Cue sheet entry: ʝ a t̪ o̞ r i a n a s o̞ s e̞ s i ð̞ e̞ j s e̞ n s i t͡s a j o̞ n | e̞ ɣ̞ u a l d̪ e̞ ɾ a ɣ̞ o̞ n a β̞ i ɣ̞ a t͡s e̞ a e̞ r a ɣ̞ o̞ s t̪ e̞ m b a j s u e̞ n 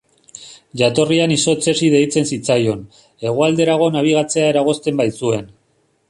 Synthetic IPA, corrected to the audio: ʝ a t̪ o̞ r i a n i s o̞ t͡s e̞ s i ð̞ e̞ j t͡s e̞ n s i t͡s a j o̞ n | e̞ ɣ̞ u a l d̪ e̞ ɾ a ɣ̞ o̞ n a β̞ i ɣ̞ a t͡s e̞ a e̞ ɾ a ɣ̞ o̞ s t̪ e̞ m b a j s u e̞ n